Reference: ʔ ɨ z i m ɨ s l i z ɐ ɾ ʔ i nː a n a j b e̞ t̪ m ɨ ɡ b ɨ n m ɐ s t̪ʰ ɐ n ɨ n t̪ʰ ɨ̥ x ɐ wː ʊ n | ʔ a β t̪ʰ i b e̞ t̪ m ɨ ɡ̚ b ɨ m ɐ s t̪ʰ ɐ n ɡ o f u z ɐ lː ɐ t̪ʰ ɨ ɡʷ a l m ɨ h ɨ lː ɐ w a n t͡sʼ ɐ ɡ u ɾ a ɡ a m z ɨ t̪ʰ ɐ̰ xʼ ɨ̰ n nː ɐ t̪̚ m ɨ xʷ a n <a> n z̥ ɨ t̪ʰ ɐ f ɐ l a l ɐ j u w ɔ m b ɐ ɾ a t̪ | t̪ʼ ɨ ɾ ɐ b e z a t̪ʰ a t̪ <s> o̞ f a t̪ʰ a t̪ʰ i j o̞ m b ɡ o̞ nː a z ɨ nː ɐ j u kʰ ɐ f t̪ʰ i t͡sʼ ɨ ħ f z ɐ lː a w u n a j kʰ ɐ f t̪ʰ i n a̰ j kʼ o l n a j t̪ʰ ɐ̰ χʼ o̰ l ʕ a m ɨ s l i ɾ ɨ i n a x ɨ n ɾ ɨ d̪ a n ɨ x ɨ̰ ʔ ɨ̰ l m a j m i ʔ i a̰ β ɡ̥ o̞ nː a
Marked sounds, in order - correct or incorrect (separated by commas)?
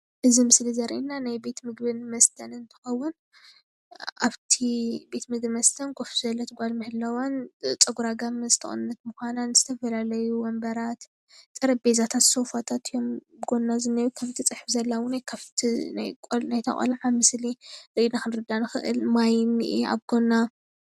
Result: correct, correct